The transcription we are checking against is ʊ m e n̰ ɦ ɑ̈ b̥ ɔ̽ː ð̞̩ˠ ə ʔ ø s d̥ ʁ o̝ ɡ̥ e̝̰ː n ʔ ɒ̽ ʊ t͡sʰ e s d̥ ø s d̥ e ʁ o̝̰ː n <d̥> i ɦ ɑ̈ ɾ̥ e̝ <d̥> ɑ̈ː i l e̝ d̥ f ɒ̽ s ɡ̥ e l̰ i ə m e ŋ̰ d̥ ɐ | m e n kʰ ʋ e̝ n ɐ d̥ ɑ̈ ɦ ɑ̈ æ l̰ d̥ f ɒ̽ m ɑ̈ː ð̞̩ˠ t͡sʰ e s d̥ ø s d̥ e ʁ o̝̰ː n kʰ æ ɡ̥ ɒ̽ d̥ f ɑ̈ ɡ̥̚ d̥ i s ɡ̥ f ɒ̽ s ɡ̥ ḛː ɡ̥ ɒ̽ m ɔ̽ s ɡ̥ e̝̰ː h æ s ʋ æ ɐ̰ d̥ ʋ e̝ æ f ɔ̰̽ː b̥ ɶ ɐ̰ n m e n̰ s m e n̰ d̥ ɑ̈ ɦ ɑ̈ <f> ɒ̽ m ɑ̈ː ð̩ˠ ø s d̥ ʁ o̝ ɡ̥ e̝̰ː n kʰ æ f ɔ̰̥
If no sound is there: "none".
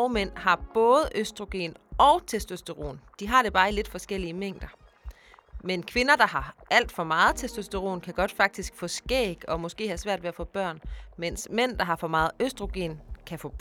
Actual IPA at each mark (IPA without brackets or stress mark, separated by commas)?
d̥, b̥, f